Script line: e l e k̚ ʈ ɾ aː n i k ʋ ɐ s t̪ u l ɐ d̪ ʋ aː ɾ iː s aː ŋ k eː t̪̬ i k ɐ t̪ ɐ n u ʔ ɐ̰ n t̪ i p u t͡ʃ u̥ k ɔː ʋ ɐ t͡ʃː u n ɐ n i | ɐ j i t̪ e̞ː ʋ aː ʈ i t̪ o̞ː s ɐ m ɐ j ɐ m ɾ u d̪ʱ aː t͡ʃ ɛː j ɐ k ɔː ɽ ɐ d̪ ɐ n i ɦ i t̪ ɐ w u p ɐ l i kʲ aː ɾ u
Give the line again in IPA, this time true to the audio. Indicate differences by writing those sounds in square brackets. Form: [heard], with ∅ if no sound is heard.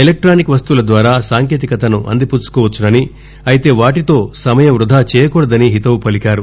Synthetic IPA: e l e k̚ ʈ ɾ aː n i k ʋ ɐ s t̪ u l ɐ d̪ ʋ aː ɾ [aː] s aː ŋ k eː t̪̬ i k ɐ t̪ ɐ n u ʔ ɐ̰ n [d̪] i p u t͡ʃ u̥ k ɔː ʋ ɐ t͡ʃː u n ɐ n i | ɐ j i t̪ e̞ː ʋ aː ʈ i t̪ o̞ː s ɐ m ɐ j ɐ m ɾ u d̪ʱ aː t͡ʃ ɛː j ɐ k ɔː ɽ ɐ d̪ ɐ n i ɦ i t̪ ɐ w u p ɐ l i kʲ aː ɾ u